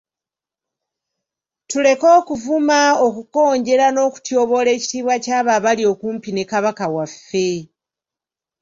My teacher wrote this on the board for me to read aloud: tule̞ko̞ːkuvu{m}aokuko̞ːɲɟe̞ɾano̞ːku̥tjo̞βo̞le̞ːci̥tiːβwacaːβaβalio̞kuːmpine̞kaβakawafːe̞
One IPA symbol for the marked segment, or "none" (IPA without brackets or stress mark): m